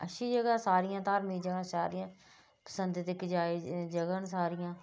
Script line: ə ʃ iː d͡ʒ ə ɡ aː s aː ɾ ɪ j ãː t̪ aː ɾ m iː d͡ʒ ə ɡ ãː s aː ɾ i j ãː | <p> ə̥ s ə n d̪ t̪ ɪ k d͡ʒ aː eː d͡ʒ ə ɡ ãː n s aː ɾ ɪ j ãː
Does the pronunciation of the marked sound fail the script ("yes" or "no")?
no